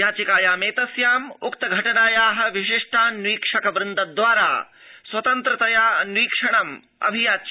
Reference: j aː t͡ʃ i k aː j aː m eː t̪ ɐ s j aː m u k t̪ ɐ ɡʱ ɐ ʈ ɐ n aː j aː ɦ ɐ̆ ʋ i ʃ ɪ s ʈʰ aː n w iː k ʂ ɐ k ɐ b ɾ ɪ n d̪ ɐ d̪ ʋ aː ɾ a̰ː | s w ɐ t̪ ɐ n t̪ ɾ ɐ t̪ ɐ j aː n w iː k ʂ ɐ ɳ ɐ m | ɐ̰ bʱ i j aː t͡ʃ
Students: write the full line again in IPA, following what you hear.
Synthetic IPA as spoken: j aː t͡ʃ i k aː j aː m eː t̪ ɐ s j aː m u k t̪ ɐ ɡʱ ɐ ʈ ɐ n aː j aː ɦ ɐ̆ ʋ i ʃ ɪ ʂ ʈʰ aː n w iː k ʂ ɐ k ɐ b ɾ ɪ n d̪ ɐ d̪ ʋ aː ɾ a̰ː | s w ɐ t̪ ɐ n t̪ ɾ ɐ t̪ ɐ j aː n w iː k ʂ ɐ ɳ ɐ m | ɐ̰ bʱ i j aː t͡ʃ